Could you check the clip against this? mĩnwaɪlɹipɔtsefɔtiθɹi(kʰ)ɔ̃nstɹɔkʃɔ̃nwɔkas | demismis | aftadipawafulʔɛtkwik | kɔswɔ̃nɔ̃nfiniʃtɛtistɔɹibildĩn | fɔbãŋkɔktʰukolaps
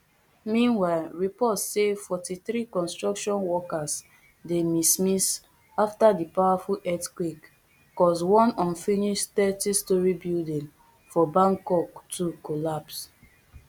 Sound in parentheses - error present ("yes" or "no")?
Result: yes